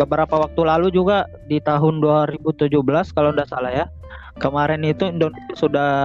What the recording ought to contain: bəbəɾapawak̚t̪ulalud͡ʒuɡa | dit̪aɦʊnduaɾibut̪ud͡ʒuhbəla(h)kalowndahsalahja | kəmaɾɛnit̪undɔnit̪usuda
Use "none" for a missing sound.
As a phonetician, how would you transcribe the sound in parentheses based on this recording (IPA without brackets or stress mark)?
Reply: s